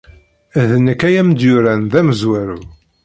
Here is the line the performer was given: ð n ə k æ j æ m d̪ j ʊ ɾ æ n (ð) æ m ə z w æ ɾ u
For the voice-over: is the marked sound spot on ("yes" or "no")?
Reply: yes